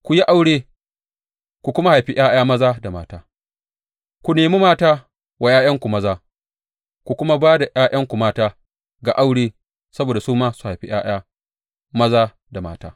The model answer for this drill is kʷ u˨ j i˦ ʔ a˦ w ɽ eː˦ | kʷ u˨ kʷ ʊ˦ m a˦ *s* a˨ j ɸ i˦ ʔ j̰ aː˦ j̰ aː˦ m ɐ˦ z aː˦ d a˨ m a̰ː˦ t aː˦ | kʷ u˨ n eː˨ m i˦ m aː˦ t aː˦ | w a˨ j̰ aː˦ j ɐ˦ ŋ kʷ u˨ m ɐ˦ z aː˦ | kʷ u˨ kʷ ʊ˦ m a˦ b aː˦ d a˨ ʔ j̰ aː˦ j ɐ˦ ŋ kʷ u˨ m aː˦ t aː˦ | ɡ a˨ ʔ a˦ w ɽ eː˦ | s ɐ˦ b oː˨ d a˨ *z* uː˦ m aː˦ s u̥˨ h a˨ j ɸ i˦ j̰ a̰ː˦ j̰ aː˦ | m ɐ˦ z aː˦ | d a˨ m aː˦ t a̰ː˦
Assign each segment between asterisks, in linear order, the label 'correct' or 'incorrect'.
incorrect: h, incorrect: s

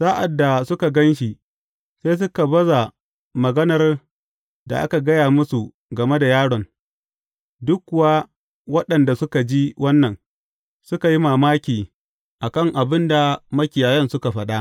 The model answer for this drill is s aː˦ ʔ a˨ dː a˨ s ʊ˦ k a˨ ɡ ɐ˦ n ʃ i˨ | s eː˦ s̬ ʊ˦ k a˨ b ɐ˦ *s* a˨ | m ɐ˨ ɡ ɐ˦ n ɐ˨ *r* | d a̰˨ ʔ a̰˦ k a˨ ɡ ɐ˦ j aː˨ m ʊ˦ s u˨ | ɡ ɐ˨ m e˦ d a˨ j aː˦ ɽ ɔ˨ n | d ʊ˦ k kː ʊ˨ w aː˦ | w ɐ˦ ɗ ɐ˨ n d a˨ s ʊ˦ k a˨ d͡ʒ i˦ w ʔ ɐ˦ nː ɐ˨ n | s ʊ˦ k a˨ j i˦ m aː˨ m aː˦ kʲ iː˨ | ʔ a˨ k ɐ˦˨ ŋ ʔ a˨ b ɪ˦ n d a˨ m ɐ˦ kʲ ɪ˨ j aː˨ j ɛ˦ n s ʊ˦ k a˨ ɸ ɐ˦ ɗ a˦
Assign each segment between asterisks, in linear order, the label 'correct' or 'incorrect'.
incorrect: z, correct

